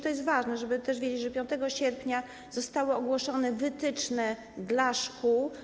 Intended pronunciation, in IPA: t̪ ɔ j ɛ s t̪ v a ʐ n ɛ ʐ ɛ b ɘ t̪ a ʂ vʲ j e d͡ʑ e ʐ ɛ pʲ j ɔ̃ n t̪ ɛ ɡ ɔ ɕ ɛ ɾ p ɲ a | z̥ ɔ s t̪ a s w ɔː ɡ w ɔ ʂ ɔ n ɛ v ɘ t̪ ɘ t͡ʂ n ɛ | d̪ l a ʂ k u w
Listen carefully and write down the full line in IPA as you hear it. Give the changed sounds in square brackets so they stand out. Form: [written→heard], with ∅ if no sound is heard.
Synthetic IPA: t̪ ɔ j ɛ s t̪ v a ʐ n ɛ ʐ ɛ b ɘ t̪ [a→ɛ] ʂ vʲ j e d͡ʑ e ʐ ɛ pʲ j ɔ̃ n t̪ ɛ ɡ ɔ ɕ ɛ ɾ p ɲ a | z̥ ɔ s t̪ a [s→∅] w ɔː ɡ w ɔ ʂ ɔ n ɛ v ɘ t̪ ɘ t͡ʂ n ɛ | d̪ l a ʂ k u w